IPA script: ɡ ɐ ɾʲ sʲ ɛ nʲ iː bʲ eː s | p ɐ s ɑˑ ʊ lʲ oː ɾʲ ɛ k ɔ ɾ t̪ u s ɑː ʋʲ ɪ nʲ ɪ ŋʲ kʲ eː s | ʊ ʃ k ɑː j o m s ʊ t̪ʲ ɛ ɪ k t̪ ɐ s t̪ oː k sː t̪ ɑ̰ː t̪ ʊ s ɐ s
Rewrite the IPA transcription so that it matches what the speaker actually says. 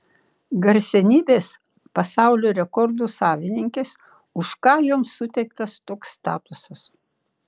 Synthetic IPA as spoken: ɡ ɐ ɾʲ sʲ ɛ nʲ iː bʲ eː s | p ɐ s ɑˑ ʊ lʲ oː ɾʲ ɛ k ɔ ɾ d̪ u s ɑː ʋʲ ɪ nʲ ɪ ŋʲ kʲ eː s | ʊ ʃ k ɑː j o m s ʊ t̪ʲ ɛ ɪ k t̪ ɐ s t̪ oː k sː t̪ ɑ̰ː t̪ ʊ s ɐ s